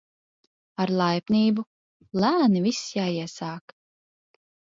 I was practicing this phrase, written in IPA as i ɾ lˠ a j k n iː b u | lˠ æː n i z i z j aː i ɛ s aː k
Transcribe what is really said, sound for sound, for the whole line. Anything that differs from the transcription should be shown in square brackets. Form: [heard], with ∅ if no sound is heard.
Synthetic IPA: [a] ɾ lˠ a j [p] n iː b u | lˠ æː n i [v] i [s] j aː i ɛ s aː k